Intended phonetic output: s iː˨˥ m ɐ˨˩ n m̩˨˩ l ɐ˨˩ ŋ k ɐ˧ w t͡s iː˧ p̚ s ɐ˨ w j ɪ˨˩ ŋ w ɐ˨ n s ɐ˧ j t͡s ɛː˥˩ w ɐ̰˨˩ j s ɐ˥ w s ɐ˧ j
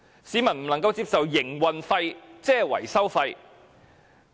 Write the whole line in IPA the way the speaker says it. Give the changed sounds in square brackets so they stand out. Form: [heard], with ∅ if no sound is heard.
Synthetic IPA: s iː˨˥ m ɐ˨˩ n m̩˨˩ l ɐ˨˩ ŋ k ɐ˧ w t͡s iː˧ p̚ s ɐ˨ w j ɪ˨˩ ŋ w ɐ˨ n [f] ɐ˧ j t͡s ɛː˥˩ w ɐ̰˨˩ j s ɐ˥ w [f] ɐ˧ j